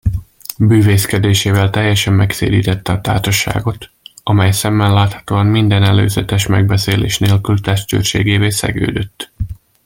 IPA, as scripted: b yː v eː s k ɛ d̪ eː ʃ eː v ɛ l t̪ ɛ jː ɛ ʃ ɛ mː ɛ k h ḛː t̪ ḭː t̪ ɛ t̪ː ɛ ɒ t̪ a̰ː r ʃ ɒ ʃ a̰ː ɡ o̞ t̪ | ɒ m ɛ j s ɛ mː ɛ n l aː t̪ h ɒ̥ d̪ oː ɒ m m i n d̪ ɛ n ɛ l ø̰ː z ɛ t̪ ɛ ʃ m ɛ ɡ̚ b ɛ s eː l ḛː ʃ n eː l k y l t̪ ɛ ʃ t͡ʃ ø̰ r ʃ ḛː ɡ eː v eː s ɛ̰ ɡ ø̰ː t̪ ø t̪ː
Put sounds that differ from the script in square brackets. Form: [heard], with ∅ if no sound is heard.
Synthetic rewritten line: b yː v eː s k ɛ d̪ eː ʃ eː v ɛ l t̪ ɛ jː ɛ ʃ ɛ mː ɛ k [s] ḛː [d̪] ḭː t̪ ɛ t̪ː ɛ ɒ t̪ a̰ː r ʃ ɒ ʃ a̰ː ɡ o̞ t̪ | ɒ m ɛ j s ɛ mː ɛ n l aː t̪ h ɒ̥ [t̪] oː ɒ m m i n d̪ ɛ n ɛ l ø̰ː z ɛ t̪ ɛ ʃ m ɛ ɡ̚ b ɛ s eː l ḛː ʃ n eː l k y l t̪ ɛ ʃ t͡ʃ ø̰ r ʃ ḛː ɡ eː v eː s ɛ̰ ɡ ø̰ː [d̪] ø t̪ː